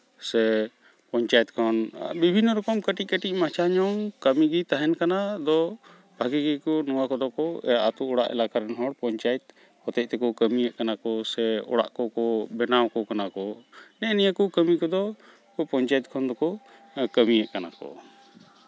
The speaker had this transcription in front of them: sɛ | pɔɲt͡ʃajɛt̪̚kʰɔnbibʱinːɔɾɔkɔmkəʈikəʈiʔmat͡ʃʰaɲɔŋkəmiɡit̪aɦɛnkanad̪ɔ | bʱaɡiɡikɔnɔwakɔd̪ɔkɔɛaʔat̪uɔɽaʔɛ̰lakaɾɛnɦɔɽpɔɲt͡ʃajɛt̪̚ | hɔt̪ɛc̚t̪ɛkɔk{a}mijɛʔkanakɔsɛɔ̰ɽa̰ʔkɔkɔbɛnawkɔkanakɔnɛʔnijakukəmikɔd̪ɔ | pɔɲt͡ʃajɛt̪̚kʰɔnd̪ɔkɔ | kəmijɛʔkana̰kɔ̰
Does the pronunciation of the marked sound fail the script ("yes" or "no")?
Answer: yes